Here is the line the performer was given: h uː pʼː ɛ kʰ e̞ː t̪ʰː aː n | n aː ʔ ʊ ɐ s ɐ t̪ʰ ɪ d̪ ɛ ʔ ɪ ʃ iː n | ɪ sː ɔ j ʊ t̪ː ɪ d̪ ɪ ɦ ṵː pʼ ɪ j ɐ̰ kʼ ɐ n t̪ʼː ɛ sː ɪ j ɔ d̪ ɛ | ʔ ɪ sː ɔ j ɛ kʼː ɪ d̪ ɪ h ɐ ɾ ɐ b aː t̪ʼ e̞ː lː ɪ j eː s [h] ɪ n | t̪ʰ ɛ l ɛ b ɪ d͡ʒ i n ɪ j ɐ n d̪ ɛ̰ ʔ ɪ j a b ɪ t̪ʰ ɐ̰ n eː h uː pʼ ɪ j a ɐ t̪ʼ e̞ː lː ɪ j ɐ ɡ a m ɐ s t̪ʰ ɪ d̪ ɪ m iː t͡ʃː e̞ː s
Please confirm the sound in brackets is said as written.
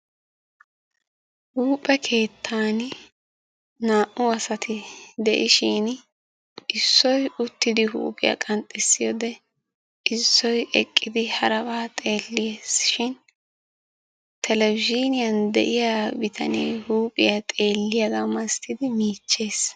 no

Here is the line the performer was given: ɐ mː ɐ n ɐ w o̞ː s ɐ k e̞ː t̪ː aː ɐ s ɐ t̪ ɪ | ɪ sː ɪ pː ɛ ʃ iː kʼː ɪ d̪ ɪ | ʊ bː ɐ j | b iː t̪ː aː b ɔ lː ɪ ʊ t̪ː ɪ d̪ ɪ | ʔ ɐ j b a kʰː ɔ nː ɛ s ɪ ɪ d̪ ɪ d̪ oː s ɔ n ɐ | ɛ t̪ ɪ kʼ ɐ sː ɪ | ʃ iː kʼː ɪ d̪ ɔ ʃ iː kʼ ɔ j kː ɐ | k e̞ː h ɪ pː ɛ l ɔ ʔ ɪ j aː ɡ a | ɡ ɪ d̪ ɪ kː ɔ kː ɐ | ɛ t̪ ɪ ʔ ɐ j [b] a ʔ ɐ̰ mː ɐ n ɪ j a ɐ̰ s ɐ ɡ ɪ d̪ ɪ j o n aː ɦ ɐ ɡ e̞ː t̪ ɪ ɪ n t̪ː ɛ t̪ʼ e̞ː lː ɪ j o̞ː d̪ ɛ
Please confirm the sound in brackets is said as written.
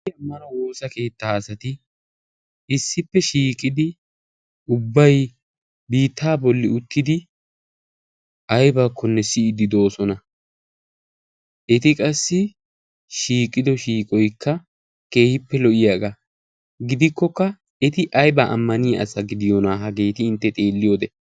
yes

